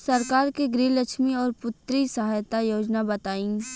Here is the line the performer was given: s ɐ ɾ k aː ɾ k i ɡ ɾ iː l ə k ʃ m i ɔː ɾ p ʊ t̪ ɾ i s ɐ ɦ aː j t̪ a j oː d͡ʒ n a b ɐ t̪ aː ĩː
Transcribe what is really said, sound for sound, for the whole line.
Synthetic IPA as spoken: s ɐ ɾ k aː ɾ k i ɡ ɾ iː l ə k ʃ m i ɔː ɾ p ʊ t̪ ɾ i s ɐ ɦ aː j t̪ a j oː d͡ʒ n a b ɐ t̪ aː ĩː